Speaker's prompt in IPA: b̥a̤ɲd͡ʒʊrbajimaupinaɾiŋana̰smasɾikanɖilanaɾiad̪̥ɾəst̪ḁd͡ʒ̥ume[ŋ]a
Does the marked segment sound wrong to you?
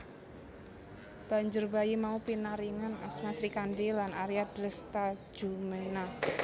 yes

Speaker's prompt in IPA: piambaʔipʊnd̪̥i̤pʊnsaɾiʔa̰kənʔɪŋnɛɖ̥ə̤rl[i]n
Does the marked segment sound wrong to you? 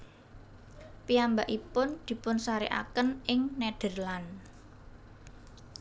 yes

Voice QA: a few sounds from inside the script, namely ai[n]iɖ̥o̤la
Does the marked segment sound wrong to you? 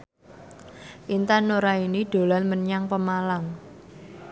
no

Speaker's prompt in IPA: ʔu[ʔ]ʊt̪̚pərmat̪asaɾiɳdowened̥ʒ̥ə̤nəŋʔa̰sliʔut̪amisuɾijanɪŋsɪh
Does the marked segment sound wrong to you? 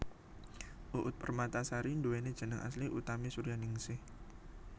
no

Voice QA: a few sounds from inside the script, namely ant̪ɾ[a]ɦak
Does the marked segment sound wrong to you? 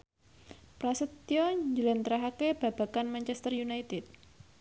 no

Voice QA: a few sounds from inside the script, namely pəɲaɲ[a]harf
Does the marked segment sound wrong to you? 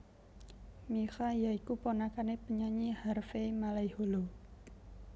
yes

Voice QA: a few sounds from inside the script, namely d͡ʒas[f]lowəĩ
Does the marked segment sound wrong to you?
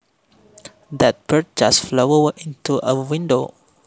no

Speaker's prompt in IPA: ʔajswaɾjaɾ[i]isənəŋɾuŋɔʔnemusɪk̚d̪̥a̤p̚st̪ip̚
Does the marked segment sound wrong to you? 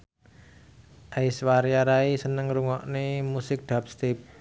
yes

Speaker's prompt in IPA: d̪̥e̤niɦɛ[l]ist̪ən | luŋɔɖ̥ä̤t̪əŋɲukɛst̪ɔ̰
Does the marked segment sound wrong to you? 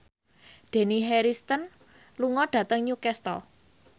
yes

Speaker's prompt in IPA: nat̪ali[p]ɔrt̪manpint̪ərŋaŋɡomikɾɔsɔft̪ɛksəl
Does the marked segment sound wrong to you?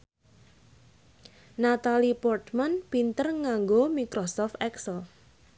no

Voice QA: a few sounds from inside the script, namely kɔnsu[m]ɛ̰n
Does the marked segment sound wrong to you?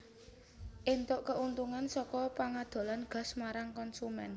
no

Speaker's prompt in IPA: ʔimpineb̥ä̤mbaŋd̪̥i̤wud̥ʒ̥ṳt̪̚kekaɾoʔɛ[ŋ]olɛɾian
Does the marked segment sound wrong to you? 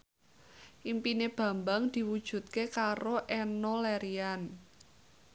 yes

